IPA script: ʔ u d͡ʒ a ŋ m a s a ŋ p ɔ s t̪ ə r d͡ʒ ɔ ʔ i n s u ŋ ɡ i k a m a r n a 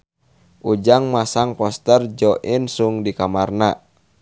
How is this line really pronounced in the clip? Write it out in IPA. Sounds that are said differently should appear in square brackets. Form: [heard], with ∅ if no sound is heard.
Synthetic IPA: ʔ u d͡ʒ a ŋ m a s a ŋ p ɔ s t̪ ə r d͡ʒ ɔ ʔ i n s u ŋ [d] i k a m a r n a